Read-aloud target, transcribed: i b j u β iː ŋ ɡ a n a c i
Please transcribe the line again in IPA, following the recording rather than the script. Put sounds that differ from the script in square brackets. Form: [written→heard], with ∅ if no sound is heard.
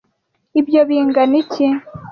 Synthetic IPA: i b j [u→o] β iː ŋ ɡ a n [a→i] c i